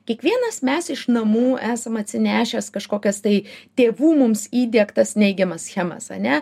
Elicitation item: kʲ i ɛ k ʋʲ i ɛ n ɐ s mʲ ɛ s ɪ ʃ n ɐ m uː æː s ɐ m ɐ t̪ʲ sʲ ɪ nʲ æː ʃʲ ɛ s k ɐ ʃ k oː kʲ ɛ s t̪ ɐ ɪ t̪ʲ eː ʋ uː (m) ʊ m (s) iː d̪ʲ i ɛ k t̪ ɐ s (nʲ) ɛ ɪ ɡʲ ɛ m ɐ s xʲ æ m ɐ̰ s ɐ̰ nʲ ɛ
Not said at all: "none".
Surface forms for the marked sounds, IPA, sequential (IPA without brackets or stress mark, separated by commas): m, s, nʲ